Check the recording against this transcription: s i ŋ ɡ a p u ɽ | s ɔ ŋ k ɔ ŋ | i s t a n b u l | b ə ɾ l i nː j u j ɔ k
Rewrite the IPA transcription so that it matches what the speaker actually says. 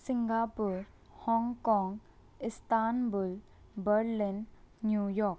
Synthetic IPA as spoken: s i ŋ ɡ a p u ɾ | h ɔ ŋ k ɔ ŋ | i s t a n b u l | b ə ɾ l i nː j u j ɔ k